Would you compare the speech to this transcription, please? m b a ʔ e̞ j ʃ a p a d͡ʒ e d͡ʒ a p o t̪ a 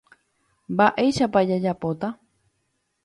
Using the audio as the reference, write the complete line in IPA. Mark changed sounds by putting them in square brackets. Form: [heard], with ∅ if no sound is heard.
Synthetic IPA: m b a ʔ e̞ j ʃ a p a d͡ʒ [a] d͡ʒ a p o t̪ a